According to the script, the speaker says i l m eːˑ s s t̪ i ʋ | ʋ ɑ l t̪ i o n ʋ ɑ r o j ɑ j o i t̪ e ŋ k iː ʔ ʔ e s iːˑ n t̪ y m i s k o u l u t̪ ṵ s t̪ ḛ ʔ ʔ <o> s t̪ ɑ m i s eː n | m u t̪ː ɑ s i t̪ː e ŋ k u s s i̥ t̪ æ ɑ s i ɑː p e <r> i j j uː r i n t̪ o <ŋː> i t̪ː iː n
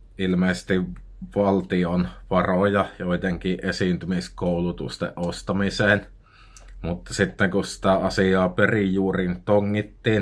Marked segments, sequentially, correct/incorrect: correct, correct, correct

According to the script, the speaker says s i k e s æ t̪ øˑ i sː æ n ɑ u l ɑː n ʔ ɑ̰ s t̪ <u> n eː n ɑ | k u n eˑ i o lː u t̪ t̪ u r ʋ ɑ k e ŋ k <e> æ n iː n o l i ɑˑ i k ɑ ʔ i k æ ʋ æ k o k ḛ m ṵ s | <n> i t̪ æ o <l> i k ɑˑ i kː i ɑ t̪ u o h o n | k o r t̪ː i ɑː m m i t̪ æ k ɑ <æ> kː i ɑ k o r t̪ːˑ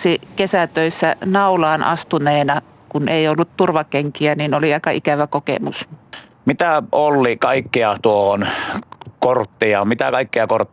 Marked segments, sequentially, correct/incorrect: correct, incorrect, incorrect, incorrect, incorrect

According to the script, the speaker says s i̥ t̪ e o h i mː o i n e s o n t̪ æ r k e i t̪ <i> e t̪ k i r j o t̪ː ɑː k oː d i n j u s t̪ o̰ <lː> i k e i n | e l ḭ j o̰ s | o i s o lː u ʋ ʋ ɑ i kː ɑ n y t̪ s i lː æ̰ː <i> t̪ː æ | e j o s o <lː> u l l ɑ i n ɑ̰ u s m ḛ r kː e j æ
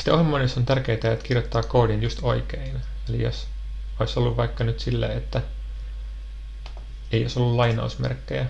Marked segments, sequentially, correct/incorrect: incorrect, incorrect, incorrect, correct

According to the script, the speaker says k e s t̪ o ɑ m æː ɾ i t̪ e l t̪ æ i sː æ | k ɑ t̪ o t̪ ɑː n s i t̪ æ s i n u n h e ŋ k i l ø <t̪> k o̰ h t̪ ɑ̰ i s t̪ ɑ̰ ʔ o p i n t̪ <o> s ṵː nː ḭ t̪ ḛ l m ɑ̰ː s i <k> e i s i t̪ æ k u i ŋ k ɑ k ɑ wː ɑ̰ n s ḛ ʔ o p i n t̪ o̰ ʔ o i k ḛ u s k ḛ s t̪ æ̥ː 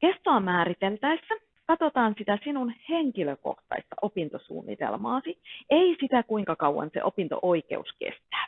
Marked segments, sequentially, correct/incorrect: incorrect, correct, incorrect

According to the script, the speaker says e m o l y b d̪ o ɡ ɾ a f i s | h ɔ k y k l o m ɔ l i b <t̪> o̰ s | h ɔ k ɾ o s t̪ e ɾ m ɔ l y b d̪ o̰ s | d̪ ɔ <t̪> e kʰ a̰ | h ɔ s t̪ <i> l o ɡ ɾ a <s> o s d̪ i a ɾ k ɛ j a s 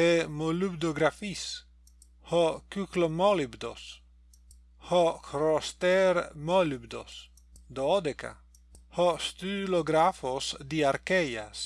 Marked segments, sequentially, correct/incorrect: incorrect, incorrect, incorrect, incorrect

